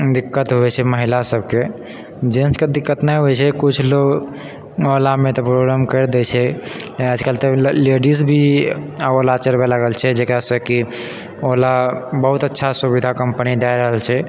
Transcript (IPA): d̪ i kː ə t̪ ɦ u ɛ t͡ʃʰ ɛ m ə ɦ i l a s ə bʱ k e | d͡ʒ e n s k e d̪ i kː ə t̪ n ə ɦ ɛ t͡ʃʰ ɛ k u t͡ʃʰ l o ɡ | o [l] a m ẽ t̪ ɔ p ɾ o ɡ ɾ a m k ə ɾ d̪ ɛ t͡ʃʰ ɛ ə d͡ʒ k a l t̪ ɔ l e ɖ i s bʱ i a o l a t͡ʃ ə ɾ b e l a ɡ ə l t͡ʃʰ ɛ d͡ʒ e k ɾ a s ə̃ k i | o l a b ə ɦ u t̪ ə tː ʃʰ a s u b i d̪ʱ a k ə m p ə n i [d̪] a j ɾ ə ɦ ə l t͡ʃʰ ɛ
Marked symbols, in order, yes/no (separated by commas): yes, yes